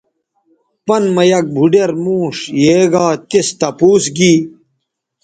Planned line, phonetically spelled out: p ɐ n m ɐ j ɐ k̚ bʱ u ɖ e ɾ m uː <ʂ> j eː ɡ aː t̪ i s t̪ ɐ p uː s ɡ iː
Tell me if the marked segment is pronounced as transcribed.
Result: yes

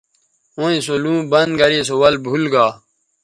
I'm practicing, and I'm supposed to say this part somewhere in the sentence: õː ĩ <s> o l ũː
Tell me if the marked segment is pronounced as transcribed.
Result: yes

